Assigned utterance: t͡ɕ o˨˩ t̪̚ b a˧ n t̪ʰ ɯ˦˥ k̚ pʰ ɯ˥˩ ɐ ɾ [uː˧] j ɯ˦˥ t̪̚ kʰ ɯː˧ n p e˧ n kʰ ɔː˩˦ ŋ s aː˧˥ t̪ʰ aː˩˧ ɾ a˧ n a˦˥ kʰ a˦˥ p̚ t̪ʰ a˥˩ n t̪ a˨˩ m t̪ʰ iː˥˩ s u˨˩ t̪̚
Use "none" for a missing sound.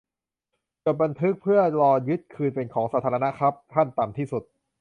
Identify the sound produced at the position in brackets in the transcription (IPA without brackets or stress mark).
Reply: ɔː˧